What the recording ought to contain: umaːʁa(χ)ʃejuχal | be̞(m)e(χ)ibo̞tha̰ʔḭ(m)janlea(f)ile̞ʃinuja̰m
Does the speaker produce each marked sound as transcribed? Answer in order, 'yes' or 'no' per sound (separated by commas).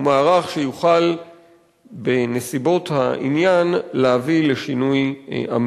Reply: yes, no, no, no, no